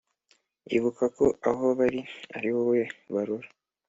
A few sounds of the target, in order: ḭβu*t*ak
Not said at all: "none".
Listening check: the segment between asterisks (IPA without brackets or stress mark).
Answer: k